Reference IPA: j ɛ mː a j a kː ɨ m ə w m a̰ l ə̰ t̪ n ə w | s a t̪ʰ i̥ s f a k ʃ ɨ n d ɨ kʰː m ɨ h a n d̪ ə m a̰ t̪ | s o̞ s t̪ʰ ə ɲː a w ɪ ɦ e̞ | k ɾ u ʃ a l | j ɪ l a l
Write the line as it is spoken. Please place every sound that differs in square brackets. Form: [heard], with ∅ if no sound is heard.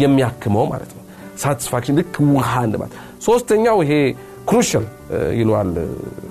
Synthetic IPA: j ɛ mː [i] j a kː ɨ m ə w m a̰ l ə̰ t̪ n ə w | s a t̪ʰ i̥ s f a k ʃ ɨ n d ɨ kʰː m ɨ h a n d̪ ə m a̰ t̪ | s o̞ s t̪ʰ ə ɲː a w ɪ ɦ e̞ | k ɾ u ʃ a l | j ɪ l a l